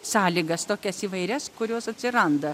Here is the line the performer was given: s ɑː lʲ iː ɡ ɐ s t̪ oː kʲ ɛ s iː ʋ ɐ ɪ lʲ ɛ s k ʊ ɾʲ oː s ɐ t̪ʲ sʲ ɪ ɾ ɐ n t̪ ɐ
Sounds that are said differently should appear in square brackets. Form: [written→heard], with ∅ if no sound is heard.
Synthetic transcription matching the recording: s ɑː lʲ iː ɡ ɐ s t̪ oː kʲ ɛ s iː ʋ ɐ ɪ [lʲ→ɾʲ] ɛ s k ʊ ɾʲ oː s ɐ t̪ʲ sʲ ɪ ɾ ɐ n [t̪→d̪] ɐ